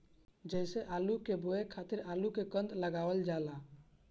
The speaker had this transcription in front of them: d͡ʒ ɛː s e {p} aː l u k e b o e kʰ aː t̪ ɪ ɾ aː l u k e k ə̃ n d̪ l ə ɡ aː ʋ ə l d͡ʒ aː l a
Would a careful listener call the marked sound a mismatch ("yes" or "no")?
yes